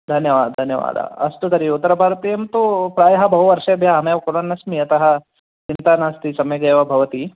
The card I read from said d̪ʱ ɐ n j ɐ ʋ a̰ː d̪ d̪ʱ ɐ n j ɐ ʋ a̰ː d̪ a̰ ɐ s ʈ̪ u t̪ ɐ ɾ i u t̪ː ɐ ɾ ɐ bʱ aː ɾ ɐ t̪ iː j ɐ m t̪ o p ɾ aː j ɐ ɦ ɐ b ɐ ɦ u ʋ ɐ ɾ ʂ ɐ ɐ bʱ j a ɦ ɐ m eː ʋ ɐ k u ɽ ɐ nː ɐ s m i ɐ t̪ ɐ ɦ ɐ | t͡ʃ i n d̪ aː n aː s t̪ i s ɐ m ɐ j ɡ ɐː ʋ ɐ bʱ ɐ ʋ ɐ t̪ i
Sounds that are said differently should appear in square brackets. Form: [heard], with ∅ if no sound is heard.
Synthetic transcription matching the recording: d̪ʱ ɐ n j ɐ ʋ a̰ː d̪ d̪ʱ ɐ n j ɐ ʋ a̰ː d̪ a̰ ɐ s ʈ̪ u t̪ ɐ ɾ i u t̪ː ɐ ɾ ɐ bʱ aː ɾ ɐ t̪ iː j ɐ m t̪ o p ɾ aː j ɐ ɦ ɐ b ɐ ɦ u ʋ ɐ ɾ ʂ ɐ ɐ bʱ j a ɦ ɐ m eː ʋ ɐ k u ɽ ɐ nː ɐ s m i ɐ t̪ ɐ ɦ ɐ | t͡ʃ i n [t̪] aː n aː s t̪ i s ɐ m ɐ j ɡ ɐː ʋ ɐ bʱ ɐ ʋ ɐ t̪ i